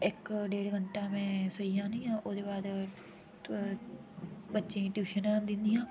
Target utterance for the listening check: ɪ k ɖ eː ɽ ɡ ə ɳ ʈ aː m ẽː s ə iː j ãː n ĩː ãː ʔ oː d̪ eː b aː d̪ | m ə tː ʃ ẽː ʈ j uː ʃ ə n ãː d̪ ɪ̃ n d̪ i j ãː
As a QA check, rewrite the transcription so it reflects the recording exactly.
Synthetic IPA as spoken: ɪ k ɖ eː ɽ ɡ ə ɳ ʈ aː m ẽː s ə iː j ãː n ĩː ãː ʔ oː d̪ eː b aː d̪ | b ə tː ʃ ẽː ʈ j uː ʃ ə n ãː d̪ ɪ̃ n d̪ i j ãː